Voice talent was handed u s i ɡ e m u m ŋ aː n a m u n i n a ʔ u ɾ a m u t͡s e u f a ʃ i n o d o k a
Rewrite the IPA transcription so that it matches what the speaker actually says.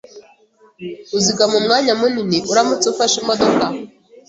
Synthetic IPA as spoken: u z i ɡ a m u m ŋ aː ɲ a m u n i n i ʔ u ɾ a m u t͡s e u f a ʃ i m o d o k a

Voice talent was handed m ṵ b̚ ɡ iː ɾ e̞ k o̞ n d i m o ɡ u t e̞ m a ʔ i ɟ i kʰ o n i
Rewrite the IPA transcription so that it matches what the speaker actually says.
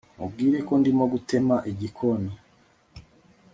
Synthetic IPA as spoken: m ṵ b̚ ɡ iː ɾ e̞ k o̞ n d i m o ɡ u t e̞ m a ʔ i ɟ i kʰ o n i

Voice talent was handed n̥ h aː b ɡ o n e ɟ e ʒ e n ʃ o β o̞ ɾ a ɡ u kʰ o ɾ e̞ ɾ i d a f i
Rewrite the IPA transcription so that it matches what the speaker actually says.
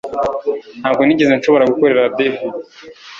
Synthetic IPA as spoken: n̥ h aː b ɡ o n i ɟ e z e n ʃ o β o̞ ɾ a ɡ u k o ɾ e̞ ɾ a d e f i

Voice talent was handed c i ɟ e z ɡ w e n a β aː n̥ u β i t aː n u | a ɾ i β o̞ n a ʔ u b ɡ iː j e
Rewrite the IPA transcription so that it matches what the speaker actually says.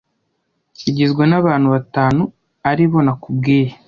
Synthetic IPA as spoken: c i ɟ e z ɡ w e n a β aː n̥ u β a t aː n u | a ɾ i β o̞ n a k u b ɡ iː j e

